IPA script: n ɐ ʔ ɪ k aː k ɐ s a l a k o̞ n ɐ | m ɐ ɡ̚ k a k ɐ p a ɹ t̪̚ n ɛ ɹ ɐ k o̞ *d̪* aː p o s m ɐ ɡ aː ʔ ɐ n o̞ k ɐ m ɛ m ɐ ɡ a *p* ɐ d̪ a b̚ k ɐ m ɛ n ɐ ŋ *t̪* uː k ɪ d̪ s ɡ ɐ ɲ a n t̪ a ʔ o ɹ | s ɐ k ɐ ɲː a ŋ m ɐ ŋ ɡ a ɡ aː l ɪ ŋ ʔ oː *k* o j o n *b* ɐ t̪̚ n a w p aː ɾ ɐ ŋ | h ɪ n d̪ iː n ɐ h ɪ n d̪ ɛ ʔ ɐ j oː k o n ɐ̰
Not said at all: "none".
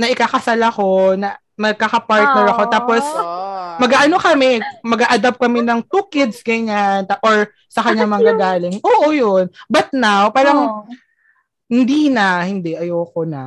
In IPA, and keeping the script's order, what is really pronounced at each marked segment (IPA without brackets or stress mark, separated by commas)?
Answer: t̪, ʔ, t̪, ʔ, b